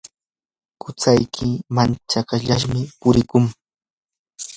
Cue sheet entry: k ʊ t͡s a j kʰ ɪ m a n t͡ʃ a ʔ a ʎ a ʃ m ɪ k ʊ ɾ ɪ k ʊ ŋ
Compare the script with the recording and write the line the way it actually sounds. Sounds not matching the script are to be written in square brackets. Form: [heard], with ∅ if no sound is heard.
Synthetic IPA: k ʊ t͡s a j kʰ ɪ m a n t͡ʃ a [k] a ʎ a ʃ m ɪ [p] ʊ ɾ ɪ k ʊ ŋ